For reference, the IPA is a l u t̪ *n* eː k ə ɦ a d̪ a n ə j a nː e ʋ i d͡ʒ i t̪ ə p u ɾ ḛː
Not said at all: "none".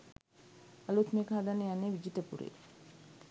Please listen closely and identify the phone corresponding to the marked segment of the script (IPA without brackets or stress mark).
m